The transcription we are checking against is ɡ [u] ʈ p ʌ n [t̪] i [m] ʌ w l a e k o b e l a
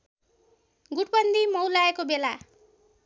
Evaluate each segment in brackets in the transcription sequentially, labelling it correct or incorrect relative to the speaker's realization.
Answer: correct, incorrect: d̪, correct

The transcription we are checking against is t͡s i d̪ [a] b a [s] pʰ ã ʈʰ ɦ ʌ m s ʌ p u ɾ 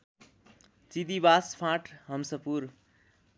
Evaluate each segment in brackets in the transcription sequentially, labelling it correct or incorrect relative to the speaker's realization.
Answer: incorrect: i, correct

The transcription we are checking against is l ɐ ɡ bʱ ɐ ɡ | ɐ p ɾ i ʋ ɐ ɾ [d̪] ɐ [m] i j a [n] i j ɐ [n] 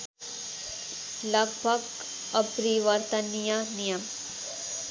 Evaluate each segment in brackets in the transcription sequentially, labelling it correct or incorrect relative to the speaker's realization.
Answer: incorrect: t̪, incorrect: n, correct, incorrect: m

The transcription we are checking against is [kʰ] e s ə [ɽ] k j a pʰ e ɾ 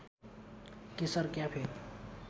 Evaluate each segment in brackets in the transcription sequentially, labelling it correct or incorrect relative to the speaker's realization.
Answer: incorrect: k, incorrect: ɾ

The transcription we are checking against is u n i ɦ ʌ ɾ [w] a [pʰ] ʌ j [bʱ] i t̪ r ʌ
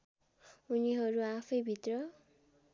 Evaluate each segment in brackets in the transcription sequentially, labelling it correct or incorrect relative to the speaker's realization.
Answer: incorrect: u, correct, correct

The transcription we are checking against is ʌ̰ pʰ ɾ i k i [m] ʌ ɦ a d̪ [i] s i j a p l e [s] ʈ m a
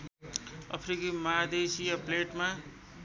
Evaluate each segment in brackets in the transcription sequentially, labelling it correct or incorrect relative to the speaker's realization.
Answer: correct, incorrect: e, incorrect: none

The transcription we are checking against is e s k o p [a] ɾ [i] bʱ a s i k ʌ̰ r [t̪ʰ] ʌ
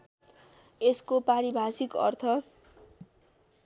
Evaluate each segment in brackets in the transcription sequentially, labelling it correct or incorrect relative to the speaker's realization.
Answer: correct, correct, correct

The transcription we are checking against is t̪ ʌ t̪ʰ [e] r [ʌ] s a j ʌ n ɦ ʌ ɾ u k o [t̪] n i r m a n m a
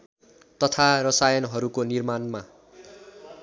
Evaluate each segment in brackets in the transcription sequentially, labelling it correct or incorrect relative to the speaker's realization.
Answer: incorrect: a, correct, incorrect: none

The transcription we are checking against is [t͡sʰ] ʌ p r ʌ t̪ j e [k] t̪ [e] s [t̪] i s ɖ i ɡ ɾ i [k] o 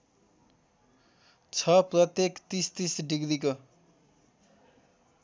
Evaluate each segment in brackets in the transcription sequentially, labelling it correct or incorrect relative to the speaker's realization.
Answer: correct, correct, incorrect: i, correct, correct

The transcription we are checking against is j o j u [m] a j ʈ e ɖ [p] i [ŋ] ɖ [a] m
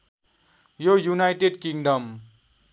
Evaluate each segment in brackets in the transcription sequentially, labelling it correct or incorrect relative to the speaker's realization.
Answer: incorrect: n, incorrect: k, correct, incorrect: ʌ

